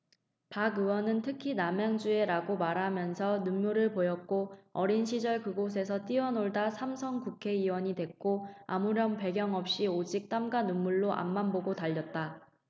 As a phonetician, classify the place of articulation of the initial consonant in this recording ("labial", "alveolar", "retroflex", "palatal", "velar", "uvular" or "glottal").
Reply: labial